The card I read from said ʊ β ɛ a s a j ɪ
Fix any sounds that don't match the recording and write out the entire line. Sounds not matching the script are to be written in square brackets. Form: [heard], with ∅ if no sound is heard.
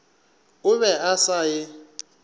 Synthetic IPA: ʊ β ɛ a s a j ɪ